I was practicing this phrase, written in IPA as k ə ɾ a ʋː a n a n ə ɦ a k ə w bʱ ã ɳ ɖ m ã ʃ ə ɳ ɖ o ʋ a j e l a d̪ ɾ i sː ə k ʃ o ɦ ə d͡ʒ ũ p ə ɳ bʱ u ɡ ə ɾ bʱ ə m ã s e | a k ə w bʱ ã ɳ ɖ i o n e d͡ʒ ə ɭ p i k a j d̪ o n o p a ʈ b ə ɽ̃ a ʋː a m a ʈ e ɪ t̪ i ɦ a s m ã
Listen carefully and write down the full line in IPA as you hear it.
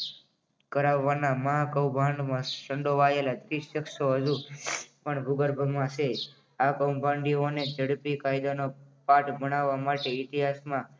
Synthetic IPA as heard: k ə ɾ a ʋː a n a m ə ɦ a k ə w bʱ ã ɳ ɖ m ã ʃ ə ɳ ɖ o ʋ a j e l a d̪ ɾ i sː ə k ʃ o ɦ ə d͡ʒ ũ p ə ɳ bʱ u ɡ ə ɾ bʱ ə m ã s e | a k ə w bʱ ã ɳ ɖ i o n e d͡ʒ ə ɽ p i k a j d̪ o n o p a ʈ b ə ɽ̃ a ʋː a m a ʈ e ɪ t̪ i ɦ a s m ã